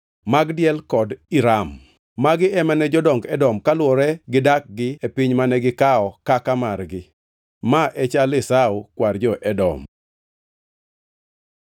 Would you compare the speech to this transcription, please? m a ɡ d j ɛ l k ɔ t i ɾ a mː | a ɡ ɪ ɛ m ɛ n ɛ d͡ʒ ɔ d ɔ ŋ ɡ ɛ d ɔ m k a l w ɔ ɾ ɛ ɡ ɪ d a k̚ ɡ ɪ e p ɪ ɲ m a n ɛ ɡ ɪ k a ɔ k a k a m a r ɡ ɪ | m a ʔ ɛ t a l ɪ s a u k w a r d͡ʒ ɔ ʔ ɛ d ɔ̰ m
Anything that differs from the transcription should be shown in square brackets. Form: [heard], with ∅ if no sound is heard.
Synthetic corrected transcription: m a ɡ d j ɛ l k ɔ [d] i ɾ a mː | a ɡ ɪ ɛ m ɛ n ɛ d͡ʒ ɔ d ɔ ŋ ɡ ɛ d ɔ m k a l w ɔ ɾ ɛ ɡ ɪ d a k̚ ɡ ɪ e p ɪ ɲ m a n ɛ ɡ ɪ k a ɔ k a k a m a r ɡ ɪ | m a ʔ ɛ [t͡ʃ] a l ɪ s a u k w a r d͡ʒ ɔ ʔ ɛ d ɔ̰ m